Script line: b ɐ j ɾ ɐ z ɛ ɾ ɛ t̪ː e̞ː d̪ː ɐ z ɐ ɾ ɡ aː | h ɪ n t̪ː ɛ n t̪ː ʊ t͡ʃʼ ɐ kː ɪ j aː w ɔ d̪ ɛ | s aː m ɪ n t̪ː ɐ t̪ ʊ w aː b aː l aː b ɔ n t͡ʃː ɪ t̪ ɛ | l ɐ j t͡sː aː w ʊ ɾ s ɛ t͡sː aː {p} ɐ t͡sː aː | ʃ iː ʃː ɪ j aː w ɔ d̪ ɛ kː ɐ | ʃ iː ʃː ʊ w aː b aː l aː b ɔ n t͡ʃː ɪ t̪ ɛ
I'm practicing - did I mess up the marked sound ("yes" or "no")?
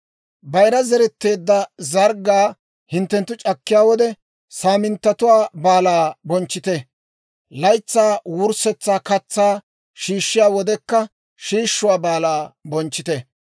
yes